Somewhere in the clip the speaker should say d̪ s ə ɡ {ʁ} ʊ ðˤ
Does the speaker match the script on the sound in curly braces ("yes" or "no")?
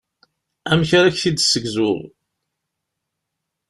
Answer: no